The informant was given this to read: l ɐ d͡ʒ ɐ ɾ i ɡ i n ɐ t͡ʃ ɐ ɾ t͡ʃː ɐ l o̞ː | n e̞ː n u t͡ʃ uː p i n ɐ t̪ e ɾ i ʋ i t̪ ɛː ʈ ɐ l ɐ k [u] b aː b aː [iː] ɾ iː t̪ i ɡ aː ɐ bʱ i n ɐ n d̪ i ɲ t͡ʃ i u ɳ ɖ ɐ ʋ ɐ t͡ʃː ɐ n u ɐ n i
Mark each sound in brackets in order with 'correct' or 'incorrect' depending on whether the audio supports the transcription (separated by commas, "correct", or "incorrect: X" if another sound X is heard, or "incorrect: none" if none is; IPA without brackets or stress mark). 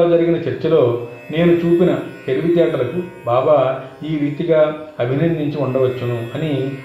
correct, correct